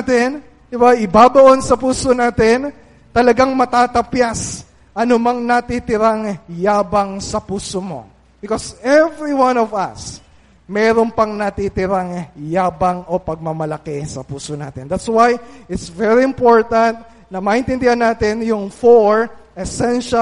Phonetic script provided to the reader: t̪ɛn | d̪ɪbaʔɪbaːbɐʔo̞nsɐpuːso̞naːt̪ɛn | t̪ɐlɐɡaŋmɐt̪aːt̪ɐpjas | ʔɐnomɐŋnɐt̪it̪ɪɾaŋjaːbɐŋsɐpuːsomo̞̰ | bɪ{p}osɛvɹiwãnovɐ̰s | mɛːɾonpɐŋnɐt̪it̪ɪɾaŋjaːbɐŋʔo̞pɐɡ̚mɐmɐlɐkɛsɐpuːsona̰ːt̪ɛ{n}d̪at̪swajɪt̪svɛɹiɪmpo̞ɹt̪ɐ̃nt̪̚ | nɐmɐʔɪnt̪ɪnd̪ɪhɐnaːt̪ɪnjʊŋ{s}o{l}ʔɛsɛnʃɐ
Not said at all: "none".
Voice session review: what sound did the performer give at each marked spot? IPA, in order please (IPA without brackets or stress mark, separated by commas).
k, n, f, ɹ